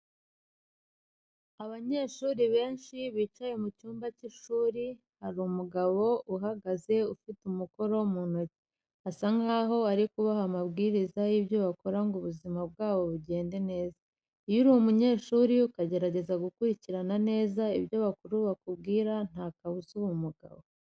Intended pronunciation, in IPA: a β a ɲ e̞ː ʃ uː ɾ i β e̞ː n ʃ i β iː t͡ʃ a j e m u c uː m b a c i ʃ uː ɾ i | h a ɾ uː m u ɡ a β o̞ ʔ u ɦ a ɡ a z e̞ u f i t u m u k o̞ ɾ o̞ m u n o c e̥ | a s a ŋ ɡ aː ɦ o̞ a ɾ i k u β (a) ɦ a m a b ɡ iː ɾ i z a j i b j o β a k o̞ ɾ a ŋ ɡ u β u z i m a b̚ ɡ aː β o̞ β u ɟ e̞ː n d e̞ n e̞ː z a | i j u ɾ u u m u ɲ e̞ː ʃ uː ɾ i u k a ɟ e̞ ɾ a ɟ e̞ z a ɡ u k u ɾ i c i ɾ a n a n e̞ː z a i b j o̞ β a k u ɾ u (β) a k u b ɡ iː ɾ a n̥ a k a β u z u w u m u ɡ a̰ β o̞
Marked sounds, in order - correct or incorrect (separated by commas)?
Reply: correct, correct